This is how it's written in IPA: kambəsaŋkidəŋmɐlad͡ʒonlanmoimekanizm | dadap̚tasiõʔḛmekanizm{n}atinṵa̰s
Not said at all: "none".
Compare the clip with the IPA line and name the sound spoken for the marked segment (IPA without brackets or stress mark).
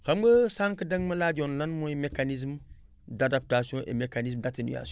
d